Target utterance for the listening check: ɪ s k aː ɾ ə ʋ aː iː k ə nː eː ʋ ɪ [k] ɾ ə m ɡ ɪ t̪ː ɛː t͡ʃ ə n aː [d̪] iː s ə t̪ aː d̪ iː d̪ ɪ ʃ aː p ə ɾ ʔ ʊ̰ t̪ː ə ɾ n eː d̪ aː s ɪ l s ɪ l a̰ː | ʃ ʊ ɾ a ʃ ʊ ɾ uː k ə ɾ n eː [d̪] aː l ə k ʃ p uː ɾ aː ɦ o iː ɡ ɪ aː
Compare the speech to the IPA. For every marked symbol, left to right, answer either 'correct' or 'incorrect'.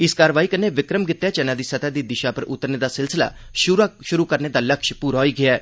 correct, correct, correct

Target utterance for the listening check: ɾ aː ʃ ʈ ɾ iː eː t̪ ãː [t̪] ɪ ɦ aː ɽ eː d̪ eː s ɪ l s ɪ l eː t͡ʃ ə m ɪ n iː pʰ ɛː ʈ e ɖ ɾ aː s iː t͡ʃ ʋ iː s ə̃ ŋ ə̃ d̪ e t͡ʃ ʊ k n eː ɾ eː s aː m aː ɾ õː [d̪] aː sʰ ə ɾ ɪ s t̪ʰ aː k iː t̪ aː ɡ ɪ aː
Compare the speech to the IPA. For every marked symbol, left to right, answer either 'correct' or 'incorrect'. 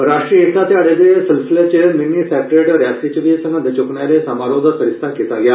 correct, correct

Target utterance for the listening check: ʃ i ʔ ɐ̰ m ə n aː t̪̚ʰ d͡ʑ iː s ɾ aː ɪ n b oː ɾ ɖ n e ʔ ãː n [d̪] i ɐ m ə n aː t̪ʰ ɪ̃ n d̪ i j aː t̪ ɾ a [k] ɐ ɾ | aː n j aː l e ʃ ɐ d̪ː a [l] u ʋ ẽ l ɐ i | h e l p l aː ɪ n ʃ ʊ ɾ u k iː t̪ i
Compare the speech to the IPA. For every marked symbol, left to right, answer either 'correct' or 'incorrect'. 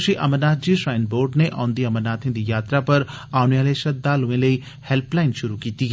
correct, incorrect, correct

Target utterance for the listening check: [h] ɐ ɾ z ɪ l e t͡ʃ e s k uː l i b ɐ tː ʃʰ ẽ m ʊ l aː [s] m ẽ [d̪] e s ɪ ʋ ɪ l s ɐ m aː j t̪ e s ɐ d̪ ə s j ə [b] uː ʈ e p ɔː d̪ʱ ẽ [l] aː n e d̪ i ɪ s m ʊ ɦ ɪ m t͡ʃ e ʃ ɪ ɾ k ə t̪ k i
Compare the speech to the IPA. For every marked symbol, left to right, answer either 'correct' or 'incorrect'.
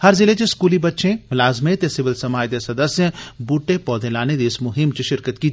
correct, incorrect, incorrect, correct, correct

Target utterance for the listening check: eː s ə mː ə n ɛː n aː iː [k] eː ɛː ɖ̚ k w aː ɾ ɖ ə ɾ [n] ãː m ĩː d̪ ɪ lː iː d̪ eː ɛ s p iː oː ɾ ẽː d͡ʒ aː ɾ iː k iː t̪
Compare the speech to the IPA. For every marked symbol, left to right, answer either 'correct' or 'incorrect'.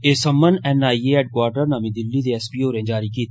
incorrect, correct

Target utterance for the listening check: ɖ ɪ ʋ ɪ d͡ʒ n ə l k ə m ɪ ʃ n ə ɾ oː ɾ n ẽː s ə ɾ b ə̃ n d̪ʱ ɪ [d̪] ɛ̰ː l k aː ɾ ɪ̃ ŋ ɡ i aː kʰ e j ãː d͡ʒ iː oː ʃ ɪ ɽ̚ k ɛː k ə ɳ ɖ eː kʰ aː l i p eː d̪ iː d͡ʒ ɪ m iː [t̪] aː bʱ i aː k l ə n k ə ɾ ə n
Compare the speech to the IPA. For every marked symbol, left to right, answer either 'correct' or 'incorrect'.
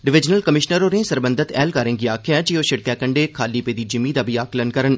incorrect, incorrect

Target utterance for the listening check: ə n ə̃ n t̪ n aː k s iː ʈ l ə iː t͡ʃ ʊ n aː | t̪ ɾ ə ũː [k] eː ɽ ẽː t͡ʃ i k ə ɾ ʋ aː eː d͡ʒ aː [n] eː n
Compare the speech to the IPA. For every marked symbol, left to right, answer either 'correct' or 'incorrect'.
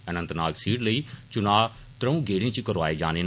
incorrect, correct

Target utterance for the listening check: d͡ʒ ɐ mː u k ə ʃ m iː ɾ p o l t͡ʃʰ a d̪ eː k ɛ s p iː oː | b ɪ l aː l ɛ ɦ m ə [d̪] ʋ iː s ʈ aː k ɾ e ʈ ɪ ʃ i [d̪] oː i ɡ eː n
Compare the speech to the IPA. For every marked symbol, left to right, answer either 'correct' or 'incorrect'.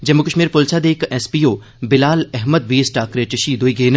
correct, correct

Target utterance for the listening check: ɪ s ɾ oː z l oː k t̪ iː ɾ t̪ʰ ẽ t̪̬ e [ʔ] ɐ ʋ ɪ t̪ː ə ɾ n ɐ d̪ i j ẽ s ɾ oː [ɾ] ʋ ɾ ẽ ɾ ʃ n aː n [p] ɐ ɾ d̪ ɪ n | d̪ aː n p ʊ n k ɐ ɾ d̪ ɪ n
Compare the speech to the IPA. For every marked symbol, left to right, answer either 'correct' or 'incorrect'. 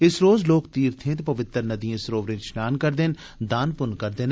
incorrect, incorrect, incorrect

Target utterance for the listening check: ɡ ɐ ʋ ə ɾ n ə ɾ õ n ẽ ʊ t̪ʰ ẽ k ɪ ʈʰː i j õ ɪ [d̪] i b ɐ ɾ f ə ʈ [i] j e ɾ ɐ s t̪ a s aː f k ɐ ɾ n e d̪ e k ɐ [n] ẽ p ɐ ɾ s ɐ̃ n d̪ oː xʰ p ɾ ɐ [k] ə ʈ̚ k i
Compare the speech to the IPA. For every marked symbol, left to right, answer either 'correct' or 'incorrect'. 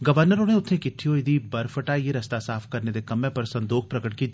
correct, incorrect, incorrect, correct

